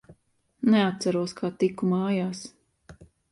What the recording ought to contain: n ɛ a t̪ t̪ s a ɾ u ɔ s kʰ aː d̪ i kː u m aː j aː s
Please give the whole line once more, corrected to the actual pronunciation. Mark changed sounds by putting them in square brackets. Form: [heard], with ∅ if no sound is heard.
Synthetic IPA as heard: n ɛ a t̪ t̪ s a ɾ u ɔ s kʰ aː [t̪] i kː u m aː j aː s